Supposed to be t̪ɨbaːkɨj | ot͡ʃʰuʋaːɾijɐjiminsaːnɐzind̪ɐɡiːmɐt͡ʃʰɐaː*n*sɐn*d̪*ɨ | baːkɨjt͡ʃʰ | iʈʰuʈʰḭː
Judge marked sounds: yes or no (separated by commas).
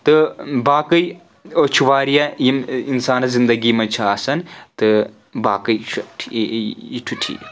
no, no